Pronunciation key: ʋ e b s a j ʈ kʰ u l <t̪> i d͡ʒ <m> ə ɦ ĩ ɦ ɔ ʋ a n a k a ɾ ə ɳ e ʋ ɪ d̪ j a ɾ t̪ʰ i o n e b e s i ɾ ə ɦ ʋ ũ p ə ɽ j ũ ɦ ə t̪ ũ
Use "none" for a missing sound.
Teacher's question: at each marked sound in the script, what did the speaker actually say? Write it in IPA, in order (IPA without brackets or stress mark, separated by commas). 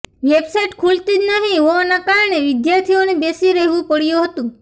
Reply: t̪, n